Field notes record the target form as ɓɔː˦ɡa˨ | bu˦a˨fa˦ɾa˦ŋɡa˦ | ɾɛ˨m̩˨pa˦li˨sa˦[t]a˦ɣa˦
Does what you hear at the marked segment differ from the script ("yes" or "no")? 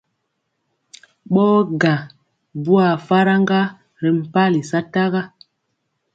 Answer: no